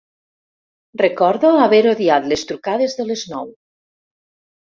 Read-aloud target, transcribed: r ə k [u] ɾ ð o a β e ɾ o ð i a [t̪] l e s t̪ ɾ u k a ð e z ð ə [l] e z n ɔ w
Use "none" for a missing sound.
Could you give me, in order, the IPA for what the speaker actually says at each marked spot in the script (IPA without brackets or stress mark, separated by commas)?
ɔ, t̪, l